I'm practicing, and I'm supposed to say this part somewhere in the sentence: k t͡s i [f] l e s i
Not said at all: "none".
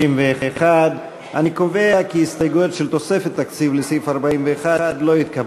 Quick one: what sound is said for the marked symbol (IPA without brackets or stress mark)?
v